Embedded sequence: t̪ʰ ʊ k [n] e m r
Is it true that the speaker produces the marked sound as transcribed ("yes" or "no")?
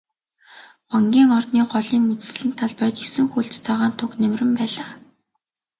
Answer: yes